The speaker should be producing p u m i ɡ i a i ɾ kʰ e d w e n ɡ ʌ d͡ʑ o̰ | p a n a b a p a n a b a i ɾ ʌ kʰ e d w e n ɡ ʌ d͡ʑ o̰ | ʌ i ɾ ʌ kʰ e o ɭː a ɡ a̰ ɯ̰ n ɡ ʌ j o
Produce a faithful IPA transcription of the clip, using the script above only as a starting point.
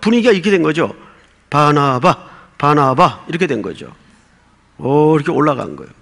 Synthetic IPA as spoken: p u ɲ i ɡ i a i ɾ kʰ e d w e n ɡ ʌ d͡ʑ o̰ | p a n a b a p a n a b a i ɾ ʌ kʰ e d w e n ɡ ʌ d͡ʑ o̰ | ʌ i ɾ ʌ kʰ e o ɭː a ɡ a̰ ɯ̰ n ɡ ʌ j o